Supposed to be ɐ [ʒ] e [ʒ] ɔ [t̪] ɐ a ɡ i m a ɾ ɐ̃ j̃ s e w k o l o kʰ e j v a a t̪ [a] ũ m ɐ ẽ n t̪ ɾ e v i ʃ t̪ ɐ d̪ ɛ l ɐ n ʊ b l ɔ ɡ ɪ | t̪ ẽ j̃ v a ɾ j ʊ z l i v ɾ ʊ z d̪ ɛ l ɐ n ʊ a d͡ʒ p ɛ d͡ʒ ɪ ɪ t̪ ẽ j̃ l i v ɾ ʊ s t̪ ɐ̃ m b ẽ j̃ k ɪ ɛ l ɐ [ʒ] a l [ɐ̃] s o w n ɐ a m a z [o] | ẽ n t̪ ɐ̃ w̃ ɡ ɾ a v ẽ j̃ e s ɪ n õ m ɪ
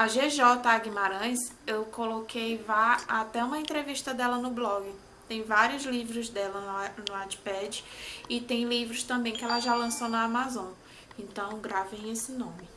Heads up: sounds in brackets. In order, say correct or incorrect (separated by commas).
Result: correct, correct, correct, incorrect, correct, correct, incorrect